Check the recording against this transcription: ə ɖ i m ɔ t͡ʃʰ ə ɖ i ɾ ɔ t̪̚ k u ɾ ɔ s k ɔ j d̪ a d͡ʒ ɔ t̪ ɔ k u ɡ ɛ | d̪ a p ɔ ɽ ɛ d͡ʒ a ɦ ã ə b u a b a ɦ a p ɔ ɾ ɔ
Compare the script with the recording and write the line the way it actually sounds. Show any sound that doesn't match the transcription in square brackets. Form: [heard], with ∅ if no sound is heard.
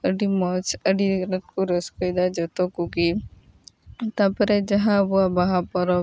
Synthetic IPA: ə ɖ i m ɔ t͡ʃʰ ə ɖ i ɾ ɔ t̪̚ k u ɾ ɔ s k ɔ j d̪ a d͡ʒ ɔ t̪ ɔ k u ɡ [i] | [t̪] a p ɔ [ɾ] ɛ d͡ʒ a ɦ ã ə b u a b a ɦ a p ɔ ɾ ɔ